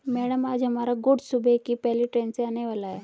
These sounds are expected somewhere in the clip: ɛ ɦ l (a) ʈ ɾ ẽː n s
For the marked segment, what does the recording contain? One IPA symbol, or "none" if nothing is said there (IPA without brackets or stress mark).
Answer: i